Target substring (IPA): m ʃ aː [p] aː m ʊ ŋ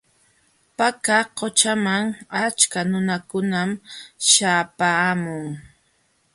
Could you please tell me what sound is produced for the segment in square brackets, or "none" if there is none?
p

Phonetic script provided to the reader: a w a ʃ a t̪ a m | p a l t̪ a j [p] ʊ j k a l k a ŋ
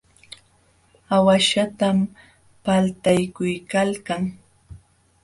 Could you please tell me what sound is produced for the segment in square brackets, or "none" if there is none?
k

